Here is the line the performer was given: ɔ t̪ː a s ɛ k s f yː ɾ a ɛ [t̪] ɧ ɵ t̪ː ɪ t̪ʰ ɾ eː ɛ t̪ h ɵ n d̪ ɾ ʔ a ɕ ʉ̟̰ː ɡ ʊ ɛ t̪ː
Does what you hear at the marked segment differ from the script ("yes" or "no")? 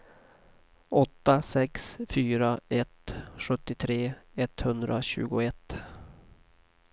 no